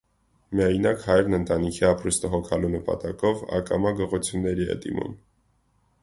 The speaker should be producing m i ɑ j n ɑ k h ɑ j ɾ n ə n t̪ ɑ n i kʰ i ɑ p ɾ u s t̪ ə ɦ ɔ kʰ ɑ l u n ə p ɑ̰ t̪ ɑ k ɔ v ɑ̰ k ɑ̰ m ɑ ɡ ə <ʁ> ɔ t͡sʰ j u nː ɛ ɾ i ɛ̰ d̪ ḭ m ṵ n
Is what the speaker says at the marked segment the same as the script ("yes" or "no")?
yes